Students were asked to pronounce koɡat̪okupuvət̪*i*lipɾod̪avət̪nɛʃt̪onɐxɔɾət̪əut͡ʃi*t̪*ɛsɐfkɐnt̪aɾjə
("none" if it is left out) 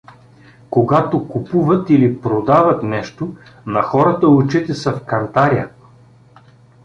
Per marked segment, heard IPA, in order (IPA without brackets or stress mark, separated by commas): i, t̪